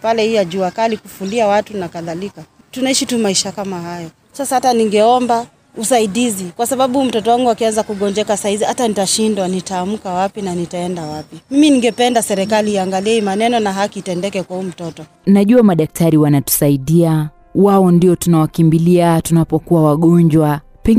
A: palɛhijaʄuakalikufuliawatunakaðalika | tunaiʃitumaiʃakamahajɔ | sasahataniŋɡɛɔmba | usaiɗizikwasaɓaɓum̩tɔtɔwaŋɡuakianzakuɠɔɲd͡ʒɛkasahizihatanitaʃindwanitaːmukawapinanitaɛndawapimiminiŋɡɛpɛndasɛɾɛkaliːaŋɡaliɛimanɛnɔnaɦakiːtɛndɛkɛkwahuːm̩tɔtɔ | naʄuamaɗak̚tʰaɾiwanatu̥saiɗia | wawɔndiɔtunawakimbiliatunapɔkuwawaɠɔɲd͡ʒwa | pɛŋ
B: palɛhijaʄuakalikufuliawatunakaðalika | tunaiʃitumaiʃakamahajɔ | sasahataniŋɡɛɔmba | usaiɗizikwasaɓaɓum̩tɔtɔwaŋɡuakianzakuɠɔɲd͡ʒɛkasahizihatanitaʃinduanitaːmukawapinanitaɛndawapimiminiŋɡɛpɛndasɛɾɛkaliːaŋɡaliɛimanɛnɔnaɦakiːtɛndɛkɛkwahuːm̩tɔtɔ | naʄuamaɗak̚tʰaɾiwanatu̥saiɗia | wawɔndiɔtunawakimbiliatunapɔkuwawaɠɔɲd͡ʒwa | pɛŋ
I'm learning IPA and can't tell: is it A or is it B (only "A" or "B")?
A